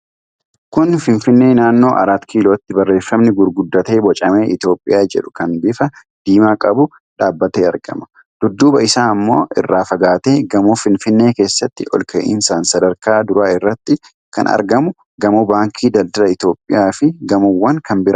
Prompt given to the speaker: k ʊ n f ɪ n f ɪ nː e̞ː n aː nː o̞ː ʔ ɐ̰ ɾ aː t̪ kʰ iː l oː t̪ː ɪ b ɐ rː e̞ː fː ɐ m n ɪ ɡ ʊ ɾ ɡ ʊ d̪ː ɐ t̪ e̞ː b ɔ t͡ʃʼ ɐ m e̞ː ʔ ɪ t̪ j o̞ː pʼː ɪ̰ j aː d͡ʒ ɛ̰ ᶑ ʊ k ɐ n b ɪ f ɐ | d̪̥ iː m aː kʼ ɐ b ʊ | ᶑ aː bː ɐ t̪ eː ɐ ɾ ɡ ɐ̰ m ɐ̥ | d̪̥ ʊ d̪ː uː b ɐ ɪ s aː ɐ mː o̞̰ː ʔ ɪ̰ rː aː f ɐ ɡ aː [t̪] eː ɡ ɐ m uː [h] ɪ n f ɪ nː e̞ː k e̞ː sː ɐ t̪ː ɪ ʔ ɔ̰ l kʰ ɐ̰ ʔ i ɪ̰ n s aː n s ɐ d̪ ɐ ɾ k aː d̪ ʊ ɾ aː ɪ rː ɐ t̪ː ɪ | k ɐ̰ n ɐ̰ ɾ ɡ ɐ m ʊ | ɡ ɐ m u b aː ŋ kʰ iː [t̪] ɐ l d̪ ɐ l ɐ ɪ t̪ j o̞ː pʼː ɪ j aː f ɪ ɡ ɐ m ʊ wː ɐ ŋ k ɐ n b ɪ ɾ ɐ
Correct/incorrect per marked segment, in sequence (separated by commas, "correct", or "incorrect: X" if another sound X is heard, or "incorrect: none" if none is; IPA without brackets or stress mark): correct, incorrect: f, incorrect: d̪